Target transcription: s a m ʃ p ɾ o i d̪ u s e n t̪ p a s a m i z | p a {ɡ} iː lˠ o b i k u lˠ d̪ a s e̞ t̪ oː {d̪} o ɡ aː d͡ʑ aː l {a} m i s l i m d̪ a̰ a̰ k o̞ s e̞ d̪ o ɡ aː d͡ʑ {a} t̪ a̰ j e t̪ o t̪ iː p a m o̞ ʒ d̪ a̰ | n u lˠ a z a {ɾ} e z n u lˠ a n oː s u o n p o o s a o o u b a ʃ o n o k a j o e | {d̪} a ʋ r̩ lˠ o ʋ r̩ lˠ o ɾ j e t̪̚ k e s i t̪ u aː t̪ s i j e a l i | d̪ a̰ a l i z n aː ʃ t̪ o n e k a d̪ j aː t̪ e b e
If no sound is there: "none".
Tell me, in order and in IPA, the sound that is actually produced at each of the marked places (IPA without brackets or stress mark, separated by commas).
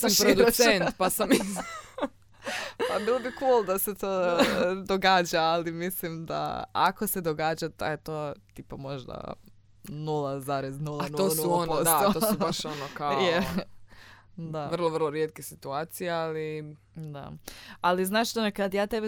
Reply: b, d̪, i, a, ɾ, d̪